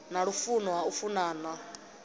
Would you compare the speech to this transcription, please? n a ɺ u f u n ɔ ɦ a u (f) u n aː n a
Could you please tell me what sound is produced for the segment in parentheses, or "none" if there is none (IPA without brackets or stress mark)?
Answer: f